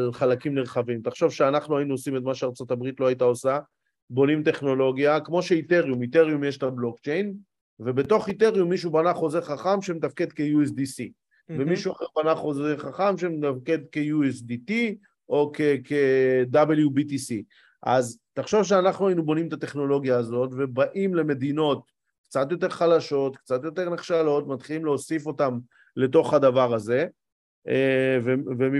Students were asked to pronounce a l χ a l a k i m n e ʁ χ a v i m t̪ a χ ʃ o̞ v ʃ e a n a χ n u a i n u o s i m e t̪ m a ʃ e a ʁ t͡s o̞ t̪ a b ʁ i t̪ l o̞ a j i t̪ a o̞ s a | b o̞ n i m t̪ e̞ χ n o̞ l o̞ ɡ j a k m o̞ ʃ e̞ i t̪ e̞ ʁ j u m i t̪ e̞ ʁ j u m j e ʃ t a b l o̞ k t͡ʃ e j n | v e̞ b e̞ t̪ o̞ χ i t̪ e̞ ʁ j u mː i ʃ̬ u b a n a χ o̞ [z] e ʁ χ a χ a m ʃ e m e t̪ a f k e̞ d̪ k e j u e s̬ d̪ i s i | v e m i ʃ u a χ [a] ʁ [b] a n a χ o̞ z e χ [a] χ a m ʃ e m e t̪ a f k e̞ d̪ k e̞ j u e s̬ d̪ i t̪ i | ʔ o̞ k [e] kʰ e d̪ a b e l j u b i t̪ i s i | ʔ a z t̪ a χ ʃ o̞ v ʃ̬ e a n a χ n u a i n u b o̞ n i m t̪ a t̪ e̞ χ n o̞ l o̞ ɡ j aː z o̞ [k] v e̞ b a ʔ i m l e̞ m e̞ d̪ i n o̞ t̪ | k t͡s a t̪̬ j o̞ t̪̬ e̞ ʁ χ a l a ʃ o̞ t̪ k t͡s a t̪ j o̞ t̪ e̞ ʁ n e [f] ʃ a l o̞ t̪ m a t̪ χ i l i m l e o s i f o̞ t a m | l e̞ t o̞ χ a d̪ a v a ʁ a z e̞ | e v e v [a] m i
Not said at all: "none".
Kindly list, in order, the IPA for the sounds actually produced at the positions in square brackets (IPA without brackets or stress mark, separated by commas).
z, e, b, a, e, t, χ, e